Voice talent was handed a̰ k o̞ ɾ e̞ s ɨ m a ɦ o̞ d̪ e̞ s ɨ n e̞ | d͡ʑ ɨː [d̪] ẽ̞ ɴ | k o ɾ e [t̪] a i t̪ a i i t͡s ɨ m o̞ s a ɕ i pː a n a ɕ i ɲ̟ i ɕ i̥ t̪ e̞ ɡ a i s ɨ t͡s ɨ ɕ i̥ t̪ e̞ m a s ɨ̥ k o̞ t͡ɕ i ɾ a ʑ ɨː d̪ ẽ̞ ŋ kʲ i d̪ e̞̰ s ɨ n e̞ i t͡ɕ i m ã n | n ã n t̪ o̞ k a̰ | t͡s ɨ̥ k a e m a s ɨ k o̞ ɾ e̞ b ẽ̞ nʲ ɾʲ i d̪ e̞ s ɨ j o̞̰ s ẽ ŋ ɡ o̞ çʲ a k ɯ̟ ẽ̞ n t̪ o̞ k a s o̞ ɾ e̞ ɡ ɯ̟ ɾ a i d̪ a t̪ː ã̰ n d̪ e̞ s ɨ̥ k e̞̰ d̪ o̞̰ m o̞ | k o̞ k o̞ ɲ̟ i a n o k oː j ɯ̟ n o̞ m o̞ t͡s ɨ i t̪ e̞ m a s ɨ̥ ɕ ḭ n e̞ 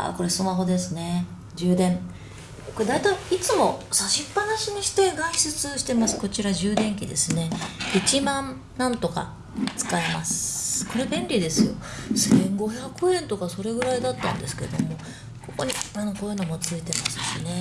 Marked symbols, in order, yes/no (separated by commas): yes, no